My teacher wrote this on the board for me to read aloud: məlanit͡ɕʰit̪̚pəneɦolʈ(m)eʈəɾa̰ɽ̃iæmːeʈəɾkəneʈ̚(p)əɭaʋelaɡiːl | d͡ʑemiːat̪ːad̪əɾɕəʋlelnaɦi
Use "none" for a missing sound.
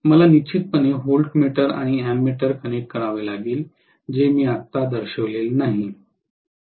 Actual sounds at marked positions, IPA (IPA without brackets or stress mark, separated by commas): m, k